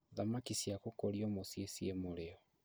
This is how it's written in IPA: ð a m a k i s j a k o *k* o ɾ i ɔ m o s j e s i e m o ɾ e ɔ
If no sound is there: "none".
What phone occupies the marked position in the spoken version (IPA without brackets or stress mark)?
k